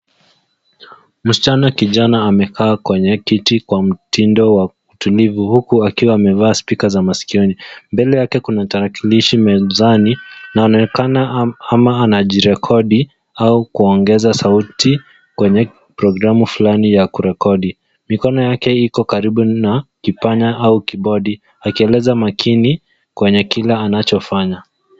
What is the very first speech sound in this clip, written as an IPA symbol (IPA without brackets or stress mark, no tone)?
m̩